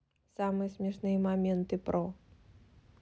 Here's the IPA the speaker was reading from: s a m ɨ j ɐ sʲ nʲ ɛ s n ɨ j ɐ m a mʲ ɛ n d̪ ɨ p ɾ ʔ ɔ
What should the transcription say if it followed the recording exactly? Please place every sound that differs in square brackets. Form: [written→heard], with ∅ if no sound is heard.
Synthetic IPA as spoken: s a m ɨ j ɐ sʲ [nʲ→mʲ] ɛ [s→ʂ] n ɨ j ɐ m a mʲ ɛ n [d̪→t̪] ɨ p ɾ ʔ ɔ